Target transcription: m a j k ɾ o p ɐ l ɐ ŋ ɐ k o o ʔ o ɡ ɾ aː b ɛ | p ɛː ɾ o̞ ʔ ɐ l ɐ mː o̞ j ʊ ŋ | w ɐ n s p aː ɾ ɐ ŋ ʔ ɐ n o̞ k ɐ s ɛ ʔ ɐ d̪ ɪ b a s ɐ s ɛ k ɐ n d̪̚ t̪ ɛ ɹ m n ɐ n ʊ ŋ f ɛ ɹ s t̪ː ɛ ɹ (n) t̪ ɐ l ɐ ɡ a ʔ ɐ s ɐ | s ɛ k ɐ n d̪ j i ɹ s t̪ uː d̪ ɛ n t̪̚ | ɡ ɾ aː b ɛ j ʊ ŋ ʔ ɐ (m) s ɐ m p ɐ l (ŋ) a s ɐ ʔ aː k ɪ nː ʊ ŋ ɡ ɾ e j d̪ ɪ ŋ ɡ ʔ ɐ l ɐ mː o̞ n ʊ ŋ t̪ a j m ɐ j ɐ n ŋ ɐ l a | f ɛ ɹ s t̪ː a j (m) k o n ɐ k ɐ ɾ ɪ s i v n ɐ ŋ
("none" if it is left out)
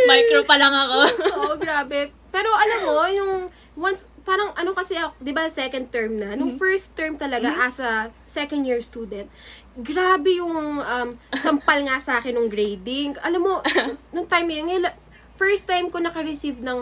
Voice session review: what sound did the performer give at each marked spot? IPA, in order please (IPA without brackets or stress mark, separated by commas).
m, m, ŋ, m